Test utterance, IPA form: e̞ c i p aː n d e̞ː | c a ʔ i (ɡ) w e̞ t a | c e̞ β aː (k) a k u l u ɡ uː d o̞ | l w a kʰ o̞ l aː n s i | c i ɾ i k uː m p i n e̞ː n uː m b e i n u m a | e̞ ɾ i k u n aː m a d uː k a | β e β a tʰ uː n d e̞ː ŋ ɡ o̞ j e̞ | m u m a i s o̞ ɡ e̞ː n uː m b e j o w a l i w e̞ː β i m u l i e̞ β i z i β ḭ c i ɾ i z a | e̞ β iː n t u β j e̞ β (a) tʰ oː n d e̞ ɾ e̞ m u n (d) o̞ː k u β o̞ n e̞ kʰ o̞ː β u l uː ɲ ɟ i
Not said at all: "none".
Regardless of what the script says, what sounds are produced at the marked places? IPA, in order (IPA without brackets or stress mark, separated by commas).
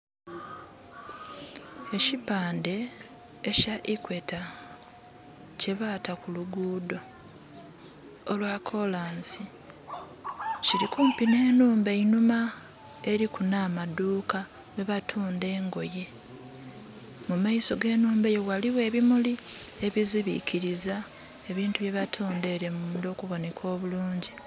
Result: k, t, a, d